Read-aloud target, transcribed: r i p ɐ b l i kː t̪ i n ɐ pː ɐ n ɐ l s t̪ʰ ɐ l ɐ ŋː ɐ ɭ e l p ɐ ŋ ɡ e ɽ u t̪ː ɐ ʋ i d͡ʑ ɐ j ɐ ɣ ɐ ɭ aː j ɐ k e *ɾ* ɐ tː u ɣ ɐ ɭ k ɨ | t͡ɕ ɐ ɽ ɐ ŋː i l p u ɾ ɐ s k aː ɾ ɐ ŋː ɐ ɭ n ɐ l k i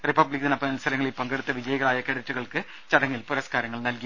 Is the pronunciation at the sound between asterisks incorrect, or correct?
incorrect